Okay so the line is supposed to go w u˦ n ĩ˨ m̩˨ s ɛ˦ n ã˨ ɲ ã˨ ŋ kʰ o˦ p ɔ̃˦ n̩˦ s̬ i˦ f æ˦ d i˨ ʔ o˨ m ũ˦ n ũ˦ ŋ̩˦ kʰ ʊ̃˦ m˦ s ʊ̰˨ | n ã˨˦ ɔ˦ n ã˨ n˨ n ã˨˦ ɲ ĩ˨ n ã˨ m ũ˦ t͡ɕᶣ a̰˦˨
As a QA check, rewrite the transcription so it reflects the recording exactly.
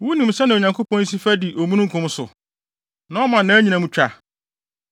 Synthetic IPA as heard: w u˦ n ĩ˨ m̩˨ s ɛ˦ n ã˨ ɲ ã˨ ŋ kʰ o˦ p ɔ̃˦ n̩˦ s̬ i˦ f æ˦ d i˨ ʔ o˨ m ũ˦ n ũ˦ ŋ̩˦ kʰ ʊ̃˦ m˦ s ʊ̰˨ | n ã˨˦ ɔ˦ m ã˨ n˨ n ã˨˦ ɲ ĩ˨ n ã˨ m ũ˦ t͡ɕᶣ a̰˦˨